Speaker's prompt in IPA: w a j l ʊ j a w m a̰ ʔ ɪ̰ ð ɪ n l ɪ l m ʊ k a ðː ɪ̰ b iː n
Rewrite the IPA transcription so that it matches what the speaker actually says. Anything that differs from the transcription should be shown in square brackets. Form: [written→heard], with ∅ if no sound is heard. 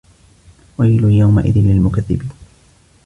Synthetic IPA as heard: w a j l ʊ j a w m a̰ ʔ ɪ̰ ð ɪ n l ɪ l m ʊ k a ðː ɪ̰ b iː n